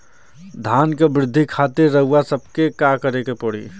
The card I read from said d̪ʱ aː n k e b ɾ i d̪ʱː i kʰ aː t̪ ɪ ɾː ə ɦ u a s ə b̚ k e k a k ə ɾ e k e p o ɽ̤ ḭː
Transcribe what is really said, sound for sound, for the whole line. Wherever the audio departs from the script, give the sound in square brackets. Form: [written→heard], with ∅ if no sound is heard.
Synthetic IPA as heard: d̪ʱ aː n k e b ɾ [i→ɪ] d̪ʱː i kʰ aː t̪ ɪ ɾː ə ɦ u a s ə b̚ k e k a k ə ɾ e k e p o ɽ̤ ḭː